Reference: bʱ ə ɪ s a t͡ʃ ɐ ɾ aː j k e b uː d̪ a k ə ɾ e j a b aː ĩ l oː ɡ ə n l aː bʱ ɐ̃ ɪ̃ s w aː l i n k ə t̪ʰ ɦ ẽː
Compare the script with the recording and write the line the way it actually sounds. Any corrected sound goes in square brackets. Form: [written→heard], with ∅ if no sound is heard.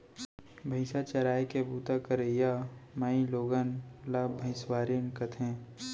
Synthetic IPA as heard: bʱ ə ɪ s a t͡ʃ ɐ ɾ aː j k e b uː [d̪→t̪] a k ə ɾ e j a [b→m] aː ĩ l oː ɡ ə n l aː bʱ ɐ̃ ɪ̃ s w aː [l→ɾ] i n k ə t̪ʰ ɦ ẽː